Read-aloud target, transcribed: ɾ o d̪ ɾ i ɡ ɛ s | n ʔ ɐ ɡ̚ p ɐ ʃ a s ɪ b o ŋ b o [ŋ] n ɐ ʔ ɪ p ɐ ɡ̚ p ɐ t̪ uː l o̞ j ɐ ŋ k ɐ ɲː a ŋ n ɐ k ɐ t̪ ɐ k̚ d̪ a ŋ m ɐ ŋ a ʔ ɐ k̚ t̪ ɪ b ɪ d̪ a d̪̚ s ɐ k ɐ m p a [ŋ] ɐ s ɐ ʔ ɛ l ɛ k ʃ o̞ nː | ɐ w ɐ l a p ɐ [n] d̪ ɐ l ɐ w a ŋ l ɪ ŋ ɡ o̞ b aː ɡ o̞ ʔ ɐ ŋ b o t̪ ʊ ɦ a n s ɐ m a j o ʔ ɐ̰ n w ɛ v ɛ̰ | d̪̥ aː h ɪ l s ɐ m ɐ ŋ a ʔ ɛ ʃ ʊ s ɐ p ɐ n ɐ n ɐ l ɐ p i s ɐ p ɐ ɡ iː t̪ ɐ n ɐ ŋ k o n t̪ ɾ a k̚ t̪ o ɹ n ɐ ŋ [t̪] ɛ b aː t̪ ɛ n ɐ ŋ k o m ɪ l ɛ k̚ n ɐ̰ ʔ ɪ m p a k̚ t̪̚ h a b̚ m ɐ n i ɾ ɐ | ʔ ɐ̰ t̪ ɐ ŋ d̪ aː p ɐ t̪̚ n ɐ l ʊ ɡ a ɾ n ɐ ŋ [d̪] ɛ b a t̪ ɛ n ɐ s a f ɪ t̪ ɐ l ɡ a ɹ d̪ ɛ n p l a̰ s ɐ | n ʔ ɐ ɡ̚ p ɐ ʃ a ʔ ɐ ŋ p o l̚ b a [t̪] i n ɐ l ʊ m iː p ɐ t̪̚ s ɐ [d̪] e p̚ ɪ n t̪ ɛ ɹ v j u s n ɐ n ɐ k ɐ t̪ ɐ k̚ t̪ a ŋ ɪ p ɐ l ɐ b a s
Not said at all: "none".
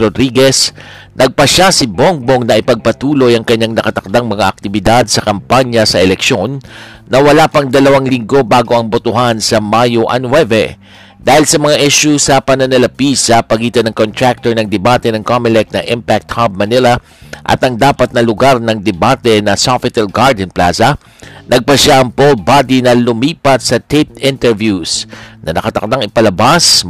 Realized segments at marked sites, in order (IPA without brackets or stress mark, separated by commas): ŋ, ɲ, ŋ, d̪, d̪, d̪, t̪